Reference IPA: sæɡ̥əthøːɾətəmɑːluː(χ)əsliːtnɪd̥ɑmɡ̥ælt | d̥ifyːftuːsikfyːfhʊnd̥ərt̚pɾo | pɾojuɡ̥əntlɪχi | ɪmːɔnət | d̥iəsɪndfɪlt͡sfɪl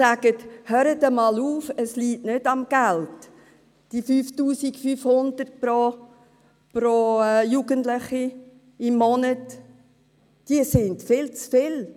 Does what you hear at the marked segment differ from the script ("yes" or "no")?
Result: yes